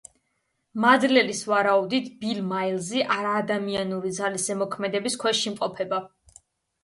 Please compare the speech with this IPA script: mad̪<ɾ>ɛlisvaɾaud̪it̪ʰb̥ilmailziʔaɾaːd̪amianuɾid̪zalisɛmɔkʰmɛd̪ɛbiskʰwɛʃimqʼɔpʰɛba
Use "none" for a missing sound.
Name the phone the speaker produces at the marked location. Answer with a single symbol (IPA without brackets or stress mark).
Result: l